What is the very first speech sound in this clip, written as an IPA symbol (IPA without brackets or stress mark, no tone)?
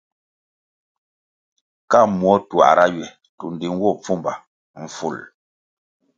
k